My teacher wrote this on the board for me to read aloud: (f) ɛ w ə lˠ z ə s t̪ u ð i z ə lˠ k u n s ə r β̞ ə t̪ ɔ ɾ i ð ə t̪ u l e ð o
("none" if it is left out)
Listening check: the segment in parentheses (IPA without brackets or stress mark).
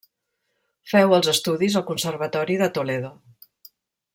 f